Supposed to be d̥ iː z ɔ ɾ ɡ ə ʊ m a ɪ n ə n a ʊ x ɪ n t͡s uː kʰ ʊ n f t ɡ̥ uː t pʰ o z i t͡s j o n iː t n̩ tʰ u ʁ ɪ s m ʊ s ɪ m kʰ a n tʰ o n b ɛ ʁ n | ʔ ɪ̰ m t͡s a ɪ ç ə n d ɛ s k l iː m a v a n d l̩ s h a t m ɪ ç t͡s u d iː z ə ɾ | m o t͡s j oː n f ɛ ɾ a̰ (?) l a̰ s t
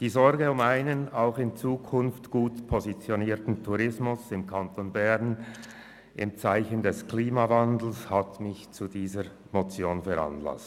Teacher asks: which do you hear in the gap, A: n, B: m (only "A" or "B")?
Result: A